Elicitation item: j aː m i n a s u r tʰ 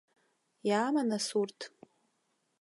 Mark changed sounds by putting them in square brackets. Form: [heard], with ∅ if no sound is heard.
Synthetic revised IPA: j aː m [a] n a s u r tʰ